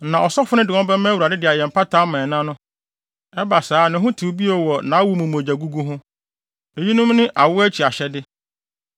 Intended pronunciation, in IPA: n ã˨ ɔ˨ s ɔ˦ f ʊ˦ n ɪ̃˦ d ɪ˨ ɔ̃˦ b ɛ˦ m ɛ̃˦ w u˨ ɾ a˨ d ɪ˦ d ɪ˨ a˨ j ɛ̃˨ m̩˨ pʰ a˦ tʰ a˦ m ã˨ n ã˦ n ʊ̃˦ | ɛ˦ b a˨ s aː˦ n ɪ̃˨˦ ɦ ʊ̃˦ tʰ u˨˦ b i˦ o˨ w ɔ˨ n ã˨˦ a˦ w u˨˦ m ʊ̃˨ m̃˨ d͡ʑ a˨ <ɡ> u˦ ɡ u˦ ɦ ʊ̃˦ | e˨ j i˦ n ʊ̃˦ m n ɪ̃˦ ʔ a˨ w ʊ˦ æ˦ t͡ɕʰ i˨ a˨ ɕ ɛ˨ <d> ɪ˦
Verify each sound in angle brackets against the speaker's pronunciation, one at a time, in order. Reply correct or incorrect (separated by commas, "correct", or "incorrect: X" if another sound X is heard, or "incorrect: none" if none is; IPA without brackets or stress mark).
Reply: correct, correct